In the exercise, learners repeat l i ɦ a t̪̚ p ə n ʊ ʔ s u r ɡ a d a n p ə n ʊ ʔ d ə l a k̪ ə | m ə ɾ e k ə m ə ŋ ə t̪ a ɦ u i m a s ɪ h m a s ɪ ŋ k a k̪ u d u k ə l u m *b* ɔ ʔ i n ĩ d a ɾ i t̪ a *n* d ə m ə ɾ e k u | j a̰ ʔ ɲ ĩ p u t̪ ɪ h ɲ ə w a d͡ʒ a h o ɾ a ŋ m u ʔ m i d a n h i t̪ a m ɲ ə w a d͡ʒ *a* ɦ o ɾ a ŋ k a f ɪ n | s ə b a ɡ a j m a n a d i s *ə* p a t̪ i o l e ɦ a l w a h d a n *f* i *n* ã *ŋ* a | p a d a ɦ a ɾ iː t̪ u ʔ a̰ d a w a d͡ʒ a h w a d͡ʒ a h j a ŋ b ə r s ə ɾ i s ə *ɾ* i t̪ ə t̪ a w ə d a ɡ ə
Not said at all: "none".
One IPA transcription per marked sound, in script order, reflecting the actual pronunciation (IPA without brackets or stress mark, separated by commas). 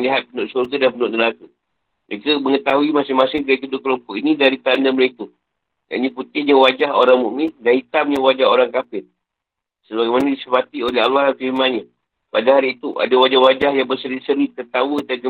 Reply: p, n, a, ə, f, m, ɲ, ɾ